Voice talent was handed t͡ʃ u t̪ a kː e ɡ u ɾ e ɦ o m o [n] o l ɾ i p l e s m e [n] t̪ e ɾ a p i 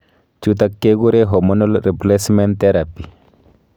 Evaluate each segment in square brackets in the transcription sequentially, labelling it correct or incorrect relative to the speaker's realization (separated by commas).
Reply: correct, correct